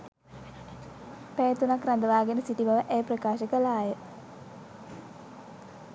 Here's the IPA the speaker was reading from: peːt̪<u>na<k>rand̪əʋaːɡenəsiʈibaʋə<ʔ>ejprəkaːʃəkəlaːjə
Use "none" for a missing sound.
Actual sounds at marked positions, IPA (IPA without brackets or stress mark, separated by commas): u, k, ʔ